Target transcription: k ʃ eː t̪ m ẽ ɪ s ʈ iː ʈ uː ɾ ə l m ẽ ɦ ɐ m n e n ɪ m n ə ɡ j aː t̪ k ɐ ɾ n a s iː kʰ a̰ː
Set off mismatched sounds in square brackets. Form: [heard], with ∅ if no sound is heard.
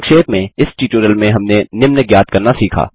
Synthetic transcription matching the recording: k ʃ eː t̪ m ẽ ɪ s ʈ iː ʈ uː ɾ ə l m ẽ ɦ ɐ m n e n ɪ m n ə ɡ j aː t̪ k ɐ ɾ n a s iː kʰ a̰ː

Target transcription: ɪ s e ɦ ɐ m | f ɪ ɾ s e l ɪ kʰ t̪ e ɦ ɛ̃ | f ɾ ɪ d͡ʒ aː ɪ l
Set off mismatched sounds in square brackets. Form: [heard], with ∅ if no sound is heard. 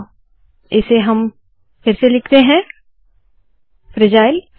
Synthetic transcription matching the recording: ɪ s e ɦ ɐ m | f ɪ ɾ s e l ɪ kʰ t̪ e ɦ ɛ̃ | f ɾ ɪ d͡ʒ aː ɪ l

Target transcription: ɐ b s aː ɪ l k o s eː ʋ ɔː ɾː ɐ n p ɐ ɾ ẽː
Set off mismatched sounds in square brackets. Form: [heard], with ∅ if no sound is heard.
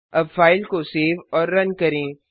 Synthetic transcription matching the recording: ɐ b [f] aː ɪ l k o s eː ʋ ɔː ɾː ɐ n [k] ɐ ɾ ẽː

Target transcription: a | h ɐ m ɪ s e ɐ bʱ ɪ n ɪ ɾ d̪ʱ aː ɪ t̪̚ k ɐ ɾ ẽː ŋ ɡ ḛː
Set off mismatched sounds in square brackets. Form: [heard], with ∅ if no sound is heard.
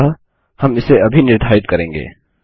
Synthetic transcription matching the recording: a | h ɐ m ɪ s e ɐ bʱ [i] n ɪ ɾ d̪ʱ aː ɪ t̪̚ k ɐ ɾ ẽː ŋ ɡ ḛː

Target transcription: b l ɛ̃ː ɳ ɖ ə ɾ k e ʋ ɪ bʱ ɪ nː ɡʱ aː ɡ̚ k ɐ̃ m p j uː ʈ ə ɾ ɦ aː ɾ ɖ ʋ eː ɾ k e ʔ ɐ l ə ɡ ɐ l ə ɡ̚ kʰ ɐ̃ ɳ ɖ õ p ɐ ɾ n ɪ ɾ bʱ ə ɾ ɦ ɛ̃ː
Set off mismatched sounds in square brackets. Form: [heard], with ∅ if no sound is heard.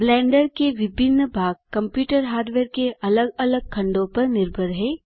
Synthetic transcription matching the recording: b l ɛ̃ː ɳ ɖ ə ɾ k e ʋ ɪ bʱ ɪ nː [bʱ] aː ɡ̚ k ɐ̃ m p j uː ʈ ə ɾ ɦ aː ɾ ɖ ʋ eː ɾ k e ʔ ɐ l ə ɡ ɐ l ə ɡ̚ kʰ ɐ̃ ɳ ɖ õ p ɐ ɾ n ɪ ɾ bʱ ə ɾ ɦ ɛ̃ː

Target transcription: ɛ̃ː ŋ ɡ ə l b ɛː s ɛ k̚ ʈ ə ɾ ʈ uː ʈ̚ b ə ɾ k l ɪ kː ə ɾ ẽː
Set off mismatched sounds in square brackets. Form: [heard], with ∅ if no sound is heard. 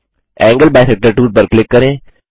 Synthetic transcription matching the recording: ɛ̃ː ŋ ɡ ə l b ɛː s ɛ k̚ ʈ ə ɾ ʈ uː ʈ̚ [p] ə ɾ k l ɪ kː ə ɾ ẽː

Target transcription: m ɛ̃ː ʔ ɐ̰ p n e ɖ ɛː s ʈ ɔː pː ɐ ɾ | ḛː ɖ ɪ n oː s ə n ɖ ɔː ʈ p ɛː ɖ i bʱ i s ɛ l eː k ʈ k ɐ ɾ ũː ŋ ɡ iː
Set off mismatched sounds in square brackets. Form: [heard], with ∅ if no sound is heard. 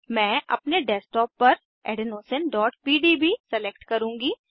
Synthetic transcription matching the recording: m ɛ̃ː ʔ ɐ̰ p n e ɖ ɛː s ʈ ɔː pː ɐ ɾ | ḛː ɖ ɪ n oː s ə n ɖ ɔː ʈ p [iː] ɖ i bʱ i s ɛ l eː k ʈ k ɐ ɾ ũː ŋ ɡ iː

